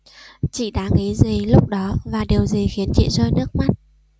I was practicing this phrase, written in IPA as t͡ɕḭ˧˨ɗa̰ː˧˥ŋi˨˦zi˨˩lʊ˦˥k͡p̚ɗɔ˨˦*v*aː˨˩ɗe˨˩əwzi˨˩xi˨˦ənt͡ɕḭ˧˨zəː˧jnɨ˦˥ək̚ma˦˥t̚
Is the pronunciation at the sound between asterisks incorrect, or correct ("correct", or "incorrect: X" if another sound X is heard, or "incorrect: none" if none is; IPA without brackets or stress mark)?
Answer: correct